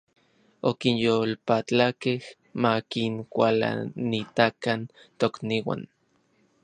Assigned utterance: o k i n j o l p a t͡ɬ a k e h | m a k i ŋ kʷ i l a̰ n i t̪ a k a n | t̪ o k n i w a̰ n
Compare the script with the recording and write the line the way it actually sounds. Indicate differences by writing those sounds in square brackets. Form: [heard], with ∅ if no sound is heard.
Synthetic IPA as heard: o k i n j o l p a t͡ɬ a k e h | m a k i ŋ kʷ [a] l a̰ n i t̪ a k a n | t̪ o k n i w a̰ n